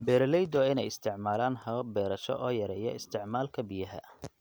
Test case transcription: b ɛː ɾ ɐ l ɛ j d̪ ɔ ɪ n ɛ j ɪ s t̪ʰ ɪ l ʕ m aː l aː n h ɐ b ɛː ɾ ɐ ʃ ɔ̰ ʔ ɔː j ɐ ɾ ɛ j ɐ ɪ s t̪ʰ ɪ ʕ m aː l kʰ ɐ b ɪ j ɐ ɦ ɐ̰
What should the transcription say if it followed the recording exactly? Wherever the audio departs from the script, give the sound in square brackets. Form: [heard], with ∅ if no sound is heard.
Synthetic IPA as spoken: b ɛː ɾ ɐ l ɛ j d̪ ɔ ɪ n ɛ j ɪ s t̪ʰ ɪ [∅] ʕ m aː l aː n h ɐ b ɛː ɾ ɐ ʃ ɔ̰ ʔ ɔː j ɐ ɾ ɛ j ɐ ɪ s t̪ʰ ɪ ʕ m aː l kʰ ɐ b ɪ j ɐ ɦ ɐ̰